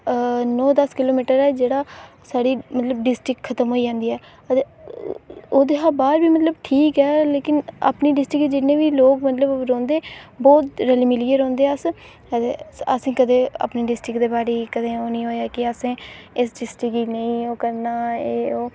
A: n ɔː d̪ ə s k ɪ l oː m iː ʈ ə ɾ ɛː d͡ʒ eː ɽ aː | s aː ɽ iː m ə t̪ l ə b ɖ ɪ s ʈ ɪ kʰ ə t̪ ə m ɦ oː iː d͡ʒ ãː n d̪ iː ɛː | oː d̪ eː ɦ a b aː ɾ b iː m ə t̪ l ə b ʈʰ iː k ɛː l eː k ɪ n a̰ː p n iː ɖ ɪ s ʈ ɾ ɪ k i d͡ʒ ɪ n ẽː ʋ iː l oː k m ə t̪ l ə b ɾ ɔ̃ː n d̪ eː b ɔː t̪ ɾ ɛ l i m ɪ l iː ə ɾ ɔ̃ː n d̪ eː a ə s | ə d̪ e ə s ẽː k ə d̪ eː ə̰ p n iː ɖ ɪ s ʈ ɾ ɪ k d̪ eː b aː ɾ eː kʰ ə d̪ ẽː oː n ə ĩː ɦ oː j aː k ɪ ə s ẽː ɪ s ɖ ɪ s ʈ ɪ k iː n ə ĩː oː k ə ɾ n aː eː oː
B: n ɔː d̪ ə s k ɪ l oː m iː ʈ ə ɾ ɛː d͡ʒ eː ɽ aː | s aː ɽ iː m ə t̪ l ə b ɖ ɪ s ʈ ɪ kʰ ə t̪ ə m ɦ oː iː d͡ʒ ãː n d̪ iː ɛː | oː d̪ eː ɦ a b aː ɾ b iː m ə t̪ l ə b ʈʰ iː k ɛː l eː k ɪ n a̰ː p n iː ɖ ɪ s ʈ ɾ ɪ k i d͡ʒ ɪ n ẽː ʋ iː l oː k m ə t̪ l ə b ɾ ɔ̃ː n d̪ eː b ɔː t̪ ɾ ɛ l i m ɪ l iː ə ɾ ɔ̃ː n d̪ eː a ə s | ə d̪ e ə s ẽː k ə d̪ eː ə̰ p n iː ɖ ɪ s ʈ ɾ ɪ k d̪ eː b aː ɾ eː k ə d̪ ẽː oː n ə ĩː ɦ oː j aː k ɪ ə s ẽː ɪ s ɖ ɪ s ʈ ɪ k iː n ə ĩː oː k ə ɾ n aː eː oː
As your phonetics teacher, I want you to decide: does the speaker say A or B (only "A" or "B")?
B